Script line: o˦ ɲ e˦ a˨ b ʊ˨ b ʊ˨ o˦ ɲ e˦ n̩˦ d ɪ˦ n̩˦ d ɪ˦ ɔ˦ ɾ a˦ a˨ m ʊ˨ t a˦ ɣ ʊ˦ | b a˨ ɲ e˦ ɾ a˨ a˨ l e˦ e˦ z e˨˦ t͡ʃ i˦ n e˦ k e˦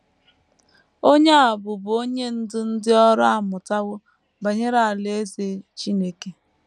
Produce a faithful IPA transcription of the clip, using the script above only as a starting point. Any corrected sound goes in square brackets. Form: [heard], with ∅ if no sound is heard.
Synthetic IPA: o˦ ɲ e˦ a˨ b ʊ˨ b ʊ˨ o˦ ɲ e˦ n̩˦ d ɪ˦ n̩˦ d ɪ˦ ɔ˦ ɾ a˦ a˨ m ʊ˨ t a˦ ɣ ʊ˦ | b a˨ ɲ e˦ ɾ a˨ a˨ l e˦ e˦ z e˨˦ t͡ʃ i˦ n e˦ k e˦